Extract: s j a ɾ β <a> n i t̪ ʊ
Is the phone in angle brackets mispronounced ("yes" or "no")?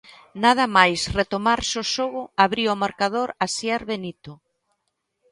yes